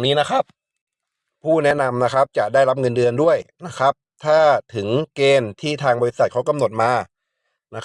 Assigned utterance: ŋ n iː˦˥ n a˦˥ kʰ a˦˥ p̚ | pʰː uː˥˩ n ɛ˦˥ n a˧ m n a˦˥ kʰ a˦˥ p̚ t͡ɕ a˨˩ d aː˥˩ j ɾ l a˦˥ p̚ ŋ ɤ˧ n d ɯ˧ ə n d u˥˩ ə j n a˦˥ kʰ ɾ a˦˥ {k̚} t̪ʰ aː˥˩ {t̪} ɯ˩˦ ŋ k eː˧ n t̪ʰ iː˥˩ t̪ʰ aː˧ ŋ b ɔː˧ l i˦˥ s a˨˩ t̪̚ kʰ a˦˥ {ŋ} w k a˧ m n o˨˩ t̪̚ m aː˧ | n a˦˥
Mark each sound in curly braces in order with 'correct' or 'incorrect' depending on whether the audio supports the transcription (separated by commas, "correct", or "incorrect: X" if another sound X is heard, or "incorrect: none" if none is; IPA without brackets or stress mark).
incorrect: p̚, incorrect: t̪ʰ, incorrect: none